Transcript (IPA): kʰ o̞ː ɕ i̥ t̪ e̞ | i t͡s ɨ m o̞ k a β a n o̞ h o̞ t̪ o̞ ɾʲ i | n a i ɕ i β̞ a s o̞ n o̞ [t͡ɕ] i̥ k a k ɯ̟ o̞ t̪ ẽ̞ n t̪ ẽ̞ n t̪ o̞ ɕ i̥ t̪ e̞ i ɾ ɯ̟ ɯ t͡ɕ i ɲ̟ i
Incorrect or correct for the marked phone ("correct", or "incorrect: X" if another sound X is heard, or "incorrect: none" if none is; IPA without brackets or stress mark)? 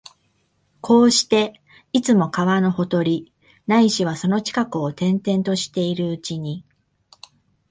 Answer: correct